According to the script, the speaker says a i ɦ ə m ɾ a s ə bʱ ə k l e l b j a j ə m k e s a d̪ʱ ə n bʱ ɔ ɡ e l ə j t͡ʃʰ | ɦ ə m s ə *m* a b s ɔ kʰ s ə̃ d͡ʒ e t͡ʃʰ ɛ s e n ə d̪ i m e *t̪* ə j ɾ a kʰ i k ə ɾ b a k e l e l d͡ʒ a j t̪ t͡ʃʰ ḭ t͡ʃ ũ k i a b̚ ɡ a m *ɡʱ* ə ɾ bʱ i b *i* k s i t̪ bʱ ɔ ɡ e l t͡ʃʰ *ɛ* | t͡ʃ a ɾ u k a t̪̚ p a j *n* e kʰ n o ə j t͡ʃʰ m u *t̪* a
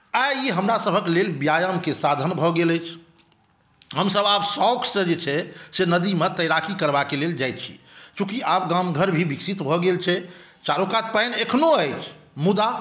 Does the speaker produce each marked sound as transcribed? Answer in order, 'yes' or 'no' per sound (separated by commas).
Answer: no, yes, yes, yes, yes, yes, no